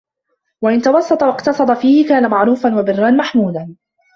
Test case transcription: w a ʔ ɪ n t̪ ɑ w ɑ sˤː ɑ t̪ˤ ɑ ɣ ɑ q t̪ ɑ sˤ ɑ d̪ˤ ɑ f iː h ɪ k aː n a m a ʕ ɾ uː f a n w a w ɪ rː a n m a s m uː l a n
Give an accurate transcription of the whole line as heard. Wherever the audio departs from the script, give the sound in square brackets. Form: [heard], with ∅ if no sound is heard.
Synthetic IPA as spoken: w a ʔ ɪ n t̪ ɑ w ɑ sˤː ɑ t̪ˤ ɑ [w] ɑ q t̪ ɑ sˤ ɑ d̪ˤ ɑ f iː h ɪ k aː n a m a ʕ ɾ uː f a n w a [b] ɪ rː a n m a [ħ] m uː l a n